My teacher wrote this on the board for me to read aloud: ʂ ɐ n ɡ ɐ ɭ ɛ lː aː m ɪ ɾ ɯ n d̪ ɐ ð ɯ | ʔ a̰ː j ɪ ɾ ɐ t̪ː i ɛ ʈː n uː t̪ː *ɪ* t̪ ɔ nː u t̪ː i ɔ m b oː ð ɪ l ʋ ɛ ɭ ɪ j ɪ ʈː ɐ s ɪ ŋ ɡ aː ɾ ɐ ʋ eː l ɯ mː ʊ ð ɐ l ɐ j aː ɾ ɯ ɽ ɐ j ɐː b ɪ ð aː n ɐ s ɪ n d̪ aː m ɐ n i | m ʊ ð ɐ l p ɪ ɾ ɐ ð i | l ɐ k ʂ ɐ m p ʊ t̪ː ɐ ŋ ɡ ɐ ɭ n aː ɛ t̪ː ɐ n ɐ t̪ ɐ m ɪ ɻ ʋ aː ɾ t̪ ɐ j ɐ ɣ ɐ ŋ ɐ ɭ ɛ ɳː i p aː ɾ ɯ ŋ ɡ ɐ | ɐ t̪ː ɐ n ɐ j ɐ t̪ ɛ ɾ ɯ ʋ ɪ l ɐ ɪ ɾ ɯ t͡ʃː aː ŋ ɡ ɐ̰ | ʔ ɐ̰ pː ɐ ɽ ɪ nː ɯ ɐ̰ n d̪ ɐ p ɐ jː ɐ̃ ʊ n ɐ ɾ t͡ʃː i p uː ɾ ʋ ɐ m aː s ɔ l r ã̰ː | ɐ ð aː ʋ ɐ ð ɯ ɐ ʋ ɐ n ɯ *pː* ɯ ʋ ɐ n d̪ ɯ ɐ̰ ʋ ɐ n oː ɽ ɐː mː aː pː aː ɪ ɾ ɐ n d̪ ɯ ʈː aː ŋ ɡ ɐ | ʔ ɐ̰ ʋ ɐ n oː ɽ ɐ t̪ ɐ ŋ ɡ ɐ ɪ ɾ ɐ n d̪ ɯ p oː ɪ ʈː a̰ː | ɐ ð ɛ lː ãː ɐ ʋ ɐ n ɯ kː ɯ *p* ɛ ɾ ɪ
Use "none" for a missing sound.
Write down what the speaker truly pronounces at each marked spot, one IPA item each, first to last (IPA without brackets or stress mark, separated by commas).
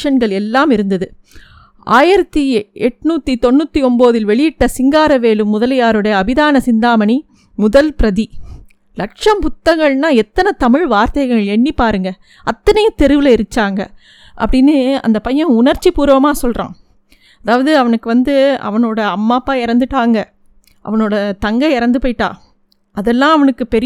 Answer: i, kː, p